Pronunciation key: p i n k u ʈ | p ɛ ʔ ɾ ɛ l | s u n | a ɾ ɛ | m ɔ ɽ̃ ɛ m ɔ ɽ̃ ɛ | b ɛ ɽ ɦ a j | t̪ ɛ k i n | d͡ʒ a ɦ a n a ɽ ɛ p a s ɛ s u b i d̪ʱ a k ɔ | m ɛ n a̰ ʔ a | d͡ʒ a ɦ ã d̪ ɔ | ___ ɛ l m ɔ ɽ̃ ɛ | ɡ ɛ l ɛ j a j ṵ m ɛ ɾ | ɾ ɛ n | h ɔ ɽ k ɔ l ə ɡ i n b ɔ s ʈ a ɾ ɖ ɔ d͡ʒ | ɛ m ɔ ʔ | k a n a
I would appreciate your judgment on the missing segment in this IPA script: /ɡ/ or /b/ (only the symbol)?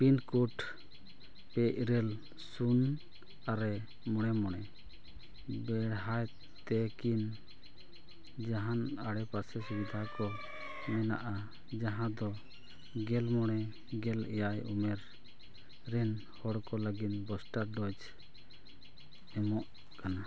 ɡ